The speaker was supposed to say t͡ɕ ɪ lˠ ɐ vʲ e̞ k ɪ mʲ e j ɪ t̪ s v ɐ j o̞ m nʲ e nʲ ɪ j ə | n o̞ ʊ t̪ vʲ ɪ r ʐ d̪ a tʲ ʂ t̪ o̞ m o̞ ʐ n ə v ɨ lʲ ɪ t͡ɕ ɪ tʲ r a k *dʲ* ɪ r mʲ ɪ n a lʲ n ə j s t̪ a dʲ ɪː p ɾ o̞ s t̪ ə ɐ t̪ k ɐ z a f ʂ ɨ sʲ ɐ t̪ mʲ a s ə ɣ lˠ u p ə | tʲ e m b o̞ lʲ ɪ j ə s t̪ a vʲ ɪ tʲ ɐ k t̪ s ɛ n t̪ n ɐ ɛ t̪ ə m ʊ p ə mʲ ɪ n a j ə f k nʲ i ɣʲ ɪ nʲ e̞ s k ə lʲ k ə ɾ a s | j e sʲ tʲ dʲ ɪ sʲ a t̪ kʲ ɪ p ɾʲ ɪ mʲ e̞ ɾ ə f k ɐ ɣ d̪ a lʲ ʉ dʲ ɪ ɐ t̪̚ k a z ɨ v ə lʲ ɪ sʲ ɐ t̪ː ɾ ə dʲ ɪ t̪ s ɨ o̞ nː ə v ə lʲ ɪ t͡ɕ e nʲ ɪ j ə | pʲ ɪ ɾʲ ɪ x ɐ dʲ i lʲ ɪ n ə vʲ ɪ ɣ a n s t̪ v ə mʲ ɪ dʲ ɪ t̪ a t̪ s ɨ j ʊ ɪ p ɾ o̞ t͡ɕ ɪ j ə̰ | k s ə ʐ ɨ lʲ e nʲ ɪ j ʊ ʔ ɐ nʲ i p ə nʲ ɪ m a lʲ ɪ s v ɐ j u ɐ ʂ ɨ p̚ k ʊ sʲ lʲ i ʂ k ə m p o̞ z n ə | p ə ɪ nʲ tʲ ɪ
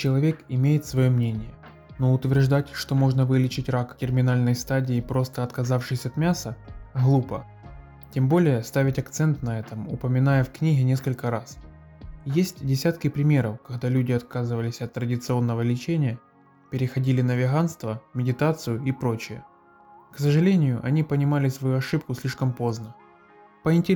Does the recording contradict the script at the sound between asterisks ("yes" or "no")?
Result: yes